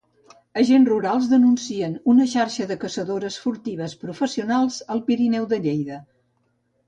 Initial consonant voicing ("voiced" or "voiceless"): voiced